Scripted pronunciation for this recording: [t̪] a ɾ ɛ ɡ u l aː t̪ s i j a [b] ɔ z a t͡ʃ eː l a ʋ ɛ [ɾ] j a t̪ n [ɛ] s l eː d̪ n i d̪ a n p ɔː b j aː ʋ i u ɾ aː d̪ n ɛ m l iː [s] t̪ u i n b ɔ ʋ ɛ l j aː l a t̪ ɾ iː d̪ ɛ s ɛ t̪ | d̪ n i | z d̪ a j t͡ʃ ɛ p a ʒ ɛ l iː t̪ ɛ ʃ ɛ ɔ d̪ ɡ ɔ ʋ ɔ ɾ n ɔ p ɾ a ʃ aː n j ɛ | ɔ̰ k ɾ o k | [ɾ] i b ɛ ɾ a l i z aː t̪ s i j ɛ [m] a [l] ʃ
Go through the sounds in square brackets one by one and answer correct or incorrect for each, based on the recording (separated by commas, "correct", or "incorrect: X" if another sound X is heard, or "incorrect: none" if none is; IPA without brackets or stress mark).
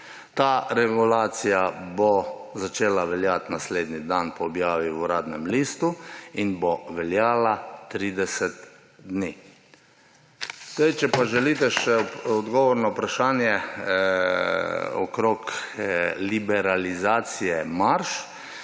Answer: correct, correct, incorrect: l, incorrect: a, correct, incorrect: l, correct, incorrect: ɾ